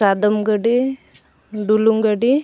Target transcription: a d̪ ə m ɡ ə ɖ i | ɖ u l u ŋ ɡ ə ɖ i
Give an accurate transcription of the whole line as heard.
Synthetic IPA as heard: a d̪ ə m ɡ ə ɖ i | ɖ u l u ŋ ɡ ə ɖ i

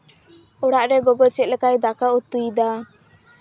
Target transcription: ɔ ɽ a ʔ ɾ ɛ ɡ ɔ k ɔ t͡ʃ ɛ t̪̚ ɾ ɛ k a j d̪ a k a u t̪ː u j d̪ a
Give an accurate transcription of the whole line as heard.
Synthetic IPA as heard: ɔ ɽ a ʔ ɾ ɛ ɡ ɔ ɡ ɔ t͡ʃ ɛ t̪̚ l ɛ k a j d̪ a k a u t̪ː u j d̪ a

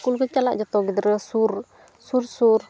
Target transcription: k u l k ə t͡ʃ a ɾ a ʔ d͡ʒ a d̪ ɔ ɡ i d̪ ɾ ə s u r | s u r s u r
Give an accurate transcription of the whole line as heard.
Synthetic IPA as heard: k u l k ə t͡ʃ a l a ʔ d͡ʒ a t̪ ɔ ɡ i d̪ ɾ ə s u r | s u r s u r

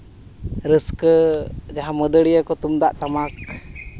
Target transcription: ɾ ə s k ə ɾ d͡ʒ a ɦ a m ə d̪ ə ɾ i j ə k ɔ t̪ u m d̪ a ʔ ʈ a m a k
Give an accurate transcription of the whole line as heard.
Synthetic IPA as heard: ɾ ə s k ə d͡ʒ a ɦ a m ə d̪ ə ɽ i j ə k ɔ t̪ u m d̪ a ʔ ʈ a m a k

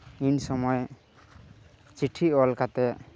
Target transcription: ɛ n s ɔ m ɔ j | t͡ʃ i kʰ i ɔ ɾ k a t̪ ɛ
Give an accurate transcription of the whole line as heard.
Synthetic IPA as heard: i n s ɔ m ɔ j | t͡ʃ i ʈʰ i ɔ l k a t̪ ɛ

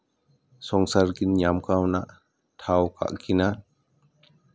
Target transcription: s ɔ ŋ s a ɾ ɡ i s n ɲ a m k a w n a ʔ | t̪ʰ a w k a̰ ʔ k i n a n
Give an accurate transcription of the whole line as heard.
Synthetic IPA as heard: s ɔ ŋ s a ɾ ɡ i n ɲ a m k a w n a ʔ | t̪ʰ a w k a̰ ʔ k i n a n

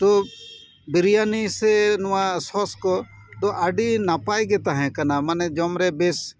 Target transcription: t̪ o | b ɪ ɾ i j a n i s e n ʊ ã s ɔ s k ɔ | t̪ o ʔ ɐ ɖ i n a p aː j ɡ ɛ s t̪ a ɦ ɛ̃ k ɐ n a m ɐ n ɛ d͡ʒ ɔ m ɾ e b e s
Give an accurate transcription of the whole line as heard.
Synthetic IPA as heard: t̪ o | b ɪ ɾ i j a n i s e n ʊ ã s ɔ s k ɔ | t̪ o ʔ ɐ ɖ i n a p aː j ɡ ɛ t̪ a ɦ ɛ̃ k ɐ n a m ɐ n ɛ d͡ʒ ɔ m ɾ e b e s

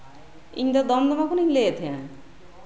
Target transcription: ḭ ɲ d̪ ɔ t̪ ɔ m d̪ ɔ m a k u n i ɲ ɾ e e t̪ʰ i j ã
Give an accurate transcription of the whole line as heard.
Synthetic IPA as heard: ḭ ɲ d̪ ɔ d̪ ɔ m d̪ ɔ m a k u n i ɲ l e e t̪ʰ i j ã

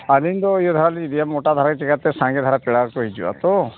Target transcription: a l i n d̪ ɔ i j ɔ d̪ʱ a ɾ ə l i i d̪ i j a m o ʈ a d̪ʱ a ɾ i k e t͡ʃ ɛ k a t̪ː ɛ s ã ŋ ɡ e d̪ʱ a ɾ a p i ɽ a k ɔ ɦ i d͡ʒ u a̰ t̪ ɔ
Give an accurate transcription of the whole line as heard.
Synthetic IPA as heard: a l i n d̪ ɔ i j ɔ d̪ʱ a ɾ a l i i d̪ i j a m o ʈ a d̪ʱ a ɾ a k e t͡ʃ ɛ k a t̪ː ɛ s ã ŋ ɡ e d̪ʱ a ɾ a p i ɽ a k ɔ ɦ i d͡ʒ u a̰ t̪ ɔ

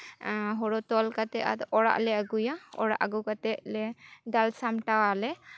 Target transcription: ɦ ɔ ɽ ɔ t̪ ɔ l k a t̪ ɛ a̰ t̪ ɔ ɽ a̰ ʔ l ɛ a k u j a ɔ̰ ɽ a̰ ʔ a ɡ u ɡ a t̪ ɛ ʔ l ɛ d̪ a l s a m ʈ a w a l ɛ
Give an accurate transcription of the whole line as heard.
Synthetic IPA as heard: ɦ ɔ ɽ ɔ t̪ ɔ l k a t̪ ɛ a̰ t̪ ɔ ɽ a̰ ʔ l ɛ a ɡ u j a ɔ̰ ɽ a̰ ʔ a ɡ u k a t̪ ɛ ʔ l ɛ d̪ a l s a m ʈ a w a l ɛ

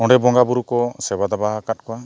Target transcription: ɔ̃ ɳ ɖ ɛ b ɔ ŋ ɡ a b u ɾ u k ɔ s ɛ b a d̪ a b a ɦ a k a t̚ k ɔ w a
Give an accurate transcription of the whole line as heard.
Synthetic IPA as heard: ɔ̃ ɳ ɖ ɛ b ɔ ŋ ɡ a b u ɾ u k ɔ s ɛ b a d̪ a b a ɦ a k a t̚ k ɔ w a

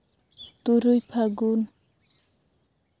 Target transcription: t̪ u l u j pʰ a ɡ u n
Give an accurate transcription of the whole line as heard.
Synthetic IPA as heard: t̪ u ɾ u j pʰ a ɡ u n

